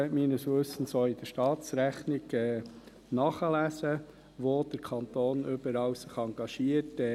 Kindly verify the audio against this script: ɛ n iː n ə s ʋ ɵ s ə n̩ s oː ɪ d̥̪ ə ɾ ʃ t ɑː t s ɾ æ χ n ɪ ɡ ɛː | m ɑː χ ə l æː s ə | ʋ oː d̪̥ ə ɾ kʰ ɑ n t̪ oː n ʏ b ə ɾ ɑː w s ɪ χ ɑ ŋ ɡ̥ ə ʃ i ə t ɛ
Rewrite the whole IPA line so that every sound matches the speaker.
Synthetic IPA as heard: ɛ m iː n ə s ʋ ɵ s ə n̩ s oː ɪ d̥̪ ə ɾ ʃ t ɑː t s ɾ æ χ n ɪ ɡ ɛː | n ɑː χ ə l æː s ə | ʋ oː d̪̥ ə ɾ kʰ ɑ n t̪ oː n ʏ b ə ɾ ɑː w s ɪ χ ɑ ŋ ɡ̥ ɑ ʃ i ə t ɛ